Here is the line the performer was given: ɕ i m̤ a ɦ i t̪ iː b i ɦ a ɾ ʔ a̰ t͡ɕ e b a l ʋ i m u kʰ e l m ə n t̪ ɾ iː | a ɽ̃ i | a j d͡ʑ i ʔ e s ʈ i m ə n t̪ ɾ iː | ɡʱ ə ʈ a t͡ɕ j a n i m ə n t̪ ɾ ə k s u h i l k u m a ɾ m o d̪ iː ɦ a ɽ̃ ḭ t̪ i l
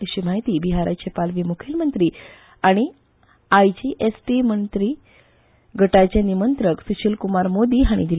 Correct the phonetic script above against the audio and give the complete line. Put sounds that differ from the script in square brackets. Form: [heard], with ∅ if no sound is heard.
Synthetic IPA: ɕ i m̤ a ɦ i t̪ iː b i ɦ a ɾ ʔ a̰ t͡ɕ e [p] a l ʋ i m u kʰ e l m ə n t̪ ɾ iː | a ɽ̃ i | a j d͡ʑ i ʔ e s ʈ i m ə n t̪ ɾ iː | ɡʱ ə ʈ a t͡ɕ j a n i m ə n t̪ ɾ ə k s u [ɕ] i l k u m a ɾ m o d̪ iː ɦ a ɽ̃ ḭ [d̪] i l

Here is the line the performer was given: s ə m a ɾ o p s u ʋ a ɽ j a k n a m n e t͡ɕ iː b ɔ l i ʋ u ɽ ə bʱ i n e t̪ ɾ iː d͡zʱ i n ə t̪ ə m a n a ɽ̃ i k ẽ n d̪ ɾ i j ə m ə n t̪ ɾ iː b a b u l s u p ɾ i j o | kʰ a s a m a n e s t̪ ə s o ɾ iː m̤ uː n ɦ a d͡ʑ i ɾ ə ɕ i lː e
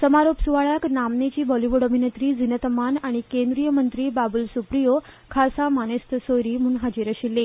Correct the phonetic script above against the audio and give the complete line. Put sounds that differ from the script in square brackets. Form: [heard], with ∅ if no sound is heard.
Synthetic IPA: s ə m a ɾ o p s u ʋ a [ɭ] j a k n a m n e t͡ɕ iː b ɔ l i ʋ u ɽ ə bʱ i n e t̪ ɾ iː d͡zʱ i n ə t̪ ə m a n a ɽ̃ i k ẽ n d̪ ɾ i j ə m ə n t̪ ɾ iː b a b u l s u p ɾ i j o | kʰ a s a m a n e s t̪ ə s o ɾ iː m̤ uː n ɦ a d͡ʑ i ɾ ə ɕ i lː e

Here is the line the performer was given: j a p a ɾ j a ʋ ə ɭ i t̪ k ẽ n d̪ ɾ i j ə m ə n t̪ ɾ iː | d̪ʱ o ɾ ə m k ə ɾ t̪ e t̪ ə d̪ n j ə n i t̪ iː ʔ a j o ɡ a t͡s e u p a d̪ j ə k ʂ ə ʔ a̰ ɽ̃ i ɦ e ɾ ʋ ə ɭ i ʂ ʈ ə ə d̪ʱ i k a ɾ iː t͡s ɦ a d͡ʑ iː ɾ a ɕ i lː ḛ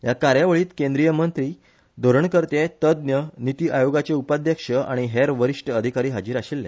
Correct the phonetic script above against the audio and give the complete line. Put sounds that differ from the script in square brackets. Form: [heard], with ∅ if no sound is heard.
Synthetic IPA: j a [k] a ɾ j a ʋ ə ɭ [iː] t̪ k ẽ n d̪ ɾ i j ə m ə n t̪ ɾ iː | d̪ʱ o ɾ ə [ɳ] k ə ɾ t̪ e t̪ ə d̪ n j ə n i t̪ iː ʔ a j o ɡ a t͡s e u p a d̪ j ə k ʂ ə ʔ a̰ ɽ̃ i ɦ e ɾ ʋ ə [ɾ] i ʂ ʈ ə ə d̪ʱ i k a ɾ iː [∅] ɦ a d͡ʑ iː ɾ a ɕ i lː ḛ

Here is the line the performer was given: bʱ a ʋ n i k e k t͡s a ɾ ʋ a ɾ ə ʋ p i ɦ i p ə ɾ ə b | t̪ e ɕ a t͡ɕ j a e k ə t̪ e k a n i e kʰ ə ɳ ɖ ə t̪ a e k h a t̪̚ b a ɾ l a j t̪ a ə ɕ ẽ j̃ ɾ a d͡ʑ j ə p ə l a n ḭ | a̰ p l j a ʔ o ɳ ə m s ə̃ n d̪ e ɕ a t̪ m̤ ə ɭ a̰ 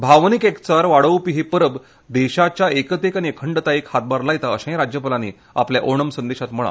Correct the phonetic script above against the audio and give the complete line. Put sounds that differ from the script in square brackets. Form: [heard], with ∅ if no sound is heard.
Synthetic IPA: bʱ a ʋ n i k e k t͡s a ɾ ʋ a [ɽ] ə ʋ p i ɦ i p ə ɾ ə b | [d̪] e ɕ a t͡ɕ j a e k ə t̪ e k a n i e kʰ ə ɳ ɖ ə t̪ a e k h a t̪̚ b a ɾ l a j t̪ a ə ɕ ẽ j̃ ɾ a d͡ʑ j ə p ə l a n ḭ | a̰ p l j a ʔ o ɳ ə m s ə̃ n d̪ e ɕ a t̪ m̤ ə ɭ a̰

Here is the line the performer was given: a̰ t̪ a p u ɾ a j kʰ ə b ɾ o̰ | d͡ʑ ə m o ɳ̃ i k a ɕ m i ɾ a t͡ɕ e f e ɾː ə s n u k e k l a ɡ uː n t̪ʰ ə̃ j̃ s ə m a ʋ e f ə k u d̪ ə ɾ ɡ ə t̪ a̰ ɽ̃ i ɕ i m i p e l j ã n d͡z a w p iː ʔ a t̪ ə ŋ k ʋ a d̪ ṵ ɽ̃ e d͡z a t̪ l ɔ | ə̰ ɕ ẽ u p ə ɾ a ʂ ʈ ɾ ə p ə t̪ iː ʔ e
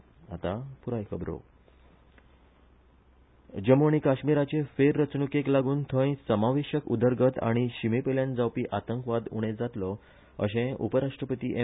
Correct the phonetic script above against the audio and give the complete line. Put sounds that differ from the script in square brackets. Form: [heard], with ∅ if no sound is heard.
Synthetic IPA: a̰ t̪ a p u ɾ a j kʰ ə b ɾ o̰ | d͡ʑ ə m o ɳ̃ i k a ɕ m i ɾ a t͡ɕ e f e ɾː ə [t͡s] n u k e k l a ɡ uː n t̪ʰ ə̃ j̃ s ə m a ʋ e [ɕ] ə k u d̪ ə ɾ ɡ ə t̪ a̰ ɽ̃ i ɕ i m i p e l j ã n d͡z a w p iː ʔ a t̪ ə ŋ k ʋ a d̪ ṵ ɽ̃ e d͡z a t̪ l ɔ | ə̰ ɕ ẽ u p ə ɾ a ʂ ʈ ɾ ə p ə t̪ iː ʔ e

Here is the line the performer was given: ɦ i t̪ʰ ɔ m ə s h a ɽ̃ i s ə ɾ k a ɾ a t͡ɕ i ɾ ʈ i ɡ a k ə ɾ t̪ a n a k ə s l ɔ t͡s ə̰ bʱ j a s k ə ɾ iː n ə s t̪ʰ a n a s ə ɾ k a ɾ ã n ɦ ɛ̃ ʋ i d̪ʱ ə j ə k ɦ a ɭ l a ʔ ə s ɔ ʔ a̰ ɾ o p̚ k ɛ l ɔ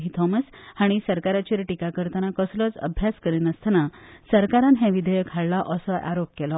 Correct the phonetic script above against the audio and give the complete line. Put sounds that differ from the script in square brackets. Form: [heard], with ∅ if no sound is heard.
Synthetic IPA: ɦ i t̪ʰ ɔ m ə s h a ɽ̃ i s ə ɾ k a ɾ a t͡ɕ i ɾ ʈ i [k] a k ə ɾ t̪ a n a k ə s l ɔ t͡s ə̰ bʱ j a s k ə ɾ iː n ə s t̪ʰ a n a s ə ɾ k a ɾ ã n ɦ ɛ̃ ʋ i d̪ʱ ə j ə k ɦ a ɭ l a ʔ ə s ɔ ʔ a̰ ɾ o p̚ k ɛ l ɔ

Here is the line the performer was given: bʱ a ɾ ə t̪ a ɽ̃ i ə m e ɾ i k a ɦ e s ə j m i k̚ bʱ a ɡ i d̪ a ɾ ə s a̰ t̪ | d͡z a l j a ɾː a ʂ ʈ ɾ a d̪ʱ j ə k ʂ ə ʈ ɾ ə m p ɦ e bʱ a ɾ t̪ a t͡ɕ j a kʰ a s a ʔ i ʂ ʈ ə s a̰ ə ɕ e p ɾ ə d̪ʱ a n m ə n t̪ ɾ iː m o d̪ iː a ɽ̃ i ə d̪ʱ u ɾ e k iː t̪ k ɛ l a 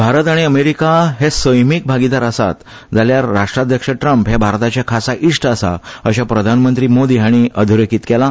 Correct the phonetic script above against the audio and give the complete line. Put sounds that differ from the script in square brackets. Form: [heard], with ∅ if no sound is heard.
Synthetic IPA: bʱ a ɾ ə t̪ a ɽ̃ i ə m e ɾ i k a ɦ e s ə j m i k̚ bʱ a ɡ i d̪ a ɾ ə s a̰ t̪ | d͡z a l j a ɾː a ʂ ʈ ɾ a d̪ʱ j ə k ʂ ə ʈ ɾ ə m p ɦ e bʱ a ɾ t̪ a t͡ɕ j a kʰ a s a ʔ i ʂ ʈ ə s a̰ ə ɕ [a] p ɾ ə d̪ʱ a n m ə n t̪ ɾ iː m o d̪ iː a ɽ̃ i ə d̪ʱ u ɾ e k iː t̪ k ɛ l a

